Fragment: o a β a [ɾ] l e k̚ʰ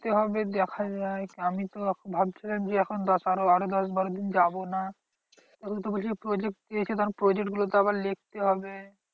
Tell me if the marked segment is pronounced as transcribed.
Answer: yes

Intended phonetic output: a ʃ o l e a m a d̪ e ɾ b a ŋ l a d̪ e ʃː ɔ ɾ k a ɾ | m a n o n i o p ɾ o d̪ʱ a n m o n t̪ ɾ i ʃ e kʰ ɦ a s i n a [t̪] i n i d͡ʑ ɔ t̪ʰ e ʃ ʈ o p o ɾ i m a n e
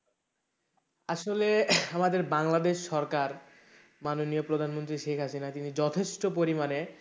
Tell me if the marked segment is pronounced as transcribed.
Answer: yes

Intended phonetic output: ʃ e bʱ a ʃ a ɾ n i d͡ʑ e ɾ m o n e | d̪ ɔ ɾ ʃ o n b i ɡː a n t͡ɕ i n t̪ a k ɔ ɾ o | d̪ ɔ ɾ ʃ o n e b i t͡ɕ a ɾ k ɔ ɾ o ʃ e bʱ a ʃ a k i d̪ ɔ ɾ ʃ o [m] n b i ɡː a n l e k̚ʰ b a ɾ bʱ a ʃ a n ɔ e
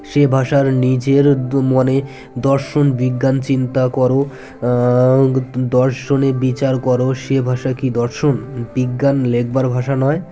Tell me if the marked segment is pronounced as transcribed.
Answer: no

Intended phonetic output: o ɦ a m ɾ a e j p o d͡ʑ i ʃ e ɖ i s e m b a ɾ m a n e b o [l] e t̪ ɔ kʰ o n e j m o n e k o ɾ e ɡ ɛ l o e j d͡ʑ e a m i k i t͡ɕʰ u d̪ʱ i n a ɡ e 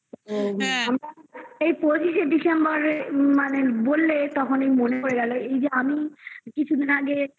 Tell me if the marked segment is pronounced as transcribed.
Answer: no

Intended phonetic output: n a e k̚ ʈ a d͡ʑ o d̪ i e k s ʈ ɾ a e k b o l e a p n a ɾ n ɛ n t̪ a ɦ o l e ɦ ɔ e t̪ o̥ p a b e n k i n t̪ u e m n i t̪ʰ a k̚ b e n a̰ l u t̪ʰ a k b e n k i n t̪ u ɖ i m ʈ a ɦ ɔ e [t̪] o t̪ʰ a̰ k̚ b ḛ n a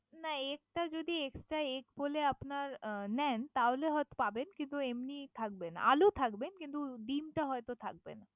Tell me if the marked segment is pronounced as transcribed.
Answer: yes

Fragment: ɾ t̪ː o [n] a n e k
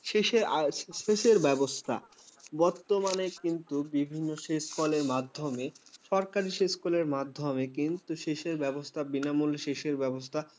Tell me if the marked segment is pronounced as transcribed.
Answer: no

